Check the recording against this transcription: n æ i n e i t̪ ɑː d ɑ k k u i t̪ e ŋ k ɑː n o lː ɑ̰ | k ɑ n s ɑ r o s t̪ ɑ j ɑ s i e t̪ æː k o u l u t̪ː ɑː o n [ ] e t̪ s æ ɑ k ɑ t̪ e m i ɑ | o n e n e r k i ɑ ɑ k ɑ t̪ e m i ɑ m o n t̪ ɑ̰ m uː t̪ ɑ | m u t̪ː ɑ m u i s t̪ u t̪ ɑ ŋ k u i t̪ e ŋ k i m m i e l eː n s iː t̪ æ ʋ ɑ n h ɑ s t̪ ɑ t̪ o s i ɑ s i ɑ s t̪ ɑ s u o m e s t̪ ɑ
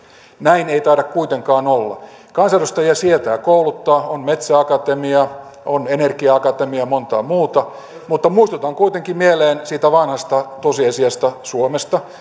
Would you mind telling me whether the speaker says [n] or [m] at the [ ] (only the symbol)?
m